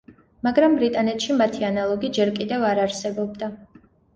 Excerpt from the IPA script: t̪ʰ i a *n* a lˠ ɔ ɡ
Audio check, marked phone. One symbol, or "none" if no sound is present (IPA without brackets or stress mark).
n